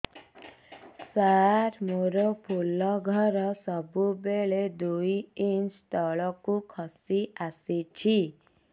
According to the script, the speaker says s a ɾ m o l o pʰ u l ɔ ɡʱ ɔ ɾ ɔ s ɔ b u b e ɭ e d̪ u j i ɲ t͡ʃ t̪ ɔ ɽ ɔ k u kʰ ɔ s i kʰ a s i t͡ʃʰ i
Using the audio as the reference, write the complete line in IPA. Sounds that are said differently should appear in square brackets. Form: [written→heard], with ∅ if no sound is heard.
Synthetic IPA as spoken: s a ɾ m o [l→ɾ] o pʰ u l ɔ ɡʱ ɔ ɾ ɔ s ɔ b u b e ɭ e d̪ u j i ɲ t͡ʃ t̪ ɔ [ɽ→ɭ] ɔ k u kʰ ɔ s i [kʰ→∅] a s i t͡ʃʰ i